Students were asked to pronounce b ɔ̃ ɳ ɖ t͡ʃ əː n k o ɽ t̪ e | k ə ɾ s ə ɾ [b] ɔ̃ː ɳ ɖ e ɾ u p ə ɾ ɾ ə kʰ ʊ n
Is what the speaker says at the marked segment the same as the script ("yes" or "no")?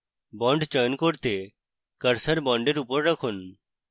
yes